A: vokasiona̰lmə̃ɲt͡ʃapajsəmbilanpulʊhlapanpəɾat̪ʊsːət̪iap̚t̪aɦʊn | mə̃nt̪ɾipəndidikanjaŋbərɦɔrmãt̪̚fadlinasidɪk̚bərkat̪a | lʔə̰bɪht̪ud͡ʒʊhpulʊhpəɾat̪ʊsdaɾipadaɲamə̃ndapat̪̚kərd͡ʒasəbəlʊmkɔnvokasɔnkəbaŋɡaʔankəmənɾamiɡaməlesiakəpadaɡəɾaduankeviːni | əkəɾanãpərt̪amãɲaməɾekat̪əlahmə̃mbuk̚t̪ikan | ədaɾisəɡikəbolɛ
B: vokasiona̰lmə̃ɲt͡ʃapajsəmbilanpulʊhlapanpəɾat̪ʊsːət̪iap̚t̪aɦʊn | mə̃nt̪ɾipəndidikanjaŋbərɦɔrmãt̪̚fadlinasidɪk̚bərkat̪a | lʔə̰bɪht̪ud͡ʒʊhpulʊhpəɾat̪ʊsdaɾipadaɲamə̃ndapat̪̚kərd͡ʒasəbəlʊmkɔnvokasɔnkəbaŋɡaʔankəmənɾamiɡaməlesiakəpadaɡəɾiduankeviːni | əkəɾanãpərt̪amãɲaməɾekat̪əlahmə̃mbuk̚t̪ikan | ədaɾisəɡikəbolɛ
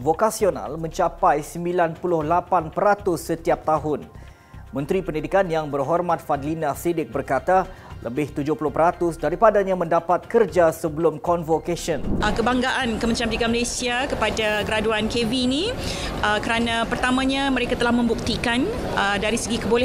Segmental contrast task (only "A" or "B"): A